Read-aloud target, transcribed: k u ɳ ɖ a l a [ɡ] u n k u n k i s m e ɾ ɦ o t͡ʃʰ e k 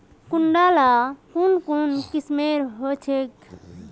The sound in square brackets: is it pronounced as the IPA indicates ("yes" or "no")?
no